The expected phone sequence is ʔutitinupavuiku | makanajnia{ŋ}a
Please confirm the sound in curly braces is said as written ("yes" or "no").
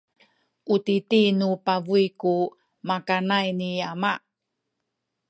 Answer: no